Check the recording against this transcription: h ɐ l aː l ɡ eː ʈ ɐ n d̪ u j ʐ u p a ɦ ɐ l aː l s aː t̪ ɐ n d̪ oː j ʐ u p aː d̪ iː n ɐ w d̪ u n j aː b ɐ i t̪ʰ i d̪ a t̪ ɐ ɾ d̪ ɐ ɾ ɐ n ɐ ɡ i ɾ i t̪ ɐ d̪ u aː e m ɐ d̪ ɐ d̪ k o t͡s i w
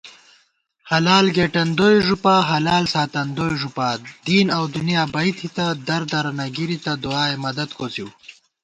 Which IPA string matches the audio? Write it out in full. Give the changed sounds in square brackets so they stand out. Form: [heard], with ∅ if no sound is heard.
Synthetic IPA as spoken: h ɐ l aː l ɡ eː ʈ ɐ n d̪ [o] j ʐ u p a ɦ ɐ l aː l s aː t̪ ɐ n d̪ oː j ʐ u p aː d̪ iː n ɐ w d̪ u n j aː b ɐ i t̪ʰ i [t̪] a [d̪] ɐ ɾ d̪ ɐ ɾ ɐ n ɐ ɡ i ɾ i t̪ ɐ d̪ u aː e m ɐ d̪ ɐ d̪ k o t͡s i w